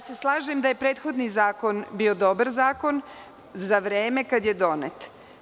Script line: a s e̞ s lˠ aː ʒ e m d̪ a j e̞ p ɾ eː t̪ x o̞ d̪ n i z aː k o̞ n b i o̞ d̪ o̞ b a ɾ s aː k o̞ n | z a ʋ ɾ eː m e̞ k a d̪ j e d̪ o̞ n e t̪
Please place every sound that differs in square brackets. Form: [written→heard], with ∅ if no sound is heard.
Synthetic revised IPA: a s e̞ s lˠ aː ʒ e m d̪ a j e̞ p ɾ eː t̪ x o̞ d̪ n i z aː k o̞ n b i o̞ d̪ o̞ b a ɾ [s→z] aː k o̞ n | z a ʋ ɾ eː m e̞ k a d̪ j e d̪ o̞ n e t̪